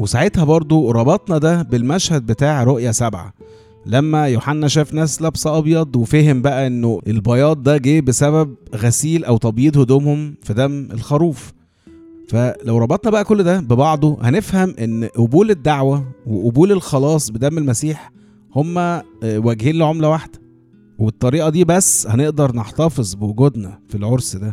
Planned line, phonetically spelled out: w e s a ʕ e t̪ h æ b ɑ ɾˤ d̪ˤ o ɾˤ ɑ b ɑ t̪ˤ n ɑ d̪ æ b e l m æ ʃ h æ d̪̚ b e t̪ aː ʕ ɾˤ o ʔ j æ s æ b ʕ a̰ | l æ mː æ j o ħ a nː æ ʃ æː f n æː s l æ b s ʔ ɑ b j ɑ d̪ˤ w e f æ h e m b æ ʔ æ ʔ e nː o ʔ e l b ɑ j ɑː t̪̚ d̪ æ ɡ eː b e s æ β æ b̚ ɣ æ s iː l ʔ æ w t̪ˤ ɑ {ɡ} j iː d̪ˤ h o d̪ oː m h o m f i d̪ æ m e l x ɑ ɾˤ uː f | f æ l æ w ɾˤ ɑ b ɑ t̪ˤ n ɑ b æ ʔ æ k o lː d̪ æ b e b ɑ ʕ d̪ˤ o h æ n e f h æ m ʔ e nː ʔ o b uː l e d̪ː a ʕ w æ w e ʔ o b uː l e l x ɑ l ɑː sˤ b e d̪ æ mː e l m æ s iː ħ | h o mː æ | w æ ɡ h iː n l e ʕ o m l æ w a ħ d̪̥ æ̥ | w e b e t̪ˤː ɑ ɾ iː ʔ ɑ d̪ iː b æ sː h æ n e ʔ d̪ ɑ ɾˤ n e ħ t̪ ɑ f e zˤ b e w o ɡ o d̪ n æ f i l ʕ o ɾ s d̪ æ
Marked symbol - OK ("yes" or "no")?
no